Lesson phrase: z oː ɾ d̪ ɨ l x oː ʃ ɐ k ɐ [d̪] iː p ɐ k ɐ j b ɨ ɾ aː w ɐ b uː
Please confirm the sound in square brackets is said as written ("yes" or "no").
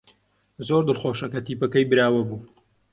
no